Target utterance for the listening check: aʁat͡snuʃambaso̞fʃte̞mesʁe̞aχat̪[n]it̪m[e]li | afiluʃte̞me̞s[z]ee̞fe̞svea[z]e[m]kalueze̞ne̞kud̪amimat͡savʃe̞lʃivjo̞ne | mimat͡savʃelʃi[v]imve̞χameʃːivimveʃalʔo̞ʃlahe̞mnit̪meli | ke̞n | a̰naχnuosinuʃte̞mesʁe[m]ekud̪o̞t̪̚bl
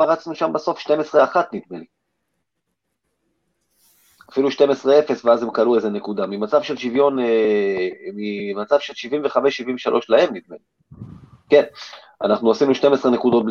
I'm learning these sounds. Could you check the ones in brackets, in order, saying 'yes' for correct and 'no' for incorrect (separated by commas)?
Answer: yes, yes, no, yes, yes, yes, no